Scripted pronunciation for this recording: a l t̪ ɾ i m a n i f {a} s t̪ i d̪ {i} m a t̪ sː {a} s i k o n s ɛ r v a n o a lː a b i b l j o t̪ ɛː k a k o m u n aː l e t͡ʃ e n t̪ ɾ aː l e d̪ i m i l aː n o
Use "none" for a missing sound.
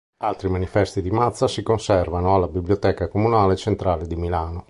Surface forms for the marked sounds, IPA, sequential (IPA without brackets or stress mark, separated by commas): ɛ, i, a